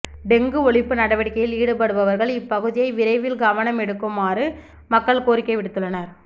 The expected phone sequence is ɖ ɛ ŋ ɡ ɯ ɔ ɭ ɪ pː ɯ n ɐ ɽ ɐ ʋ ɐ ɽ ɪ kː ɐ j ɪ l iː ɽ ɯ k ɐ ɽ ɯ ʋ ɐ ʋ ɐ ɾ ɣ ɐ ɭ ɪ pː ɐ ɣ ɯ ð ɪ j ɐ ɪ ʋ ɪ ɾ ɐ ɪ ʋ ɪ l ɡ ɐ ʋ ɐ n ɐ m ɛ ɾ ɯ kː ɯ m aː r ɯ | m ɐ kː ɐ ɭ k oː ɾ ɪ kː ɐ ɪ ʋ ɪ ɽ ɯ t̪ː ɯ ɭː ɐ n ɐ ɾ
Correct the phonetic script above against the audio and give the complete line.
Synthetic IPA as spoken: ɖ ɛ ŋ ɡ ɯ ɔ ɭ ɪ pː ɯ n ɐ ɽ ɐ ʋ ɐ ɽ ɪ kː ɐ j ɪ l iː ɽ ɯ p ɐ ɽ ɯ ʋ ɐ ʋ ɐ ɾ ɣ ɐ ɭ ɪ pː ɐ ɣ ɯ ð ɪ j ɐ ɪ ʋ ɪ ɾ ɐ ɪ ʋ ɪ l ɡ ɐ ʋ ɐ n ɐ m ɛ ɽ ɯ kː ɯ m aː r ɯ | m ɐ kː ɐ ɭ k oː ɾ ɪ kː ɐ ɪ ʋ ɪ ɽ ɯ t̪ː ɯ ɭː ɐ n ɐ ɾ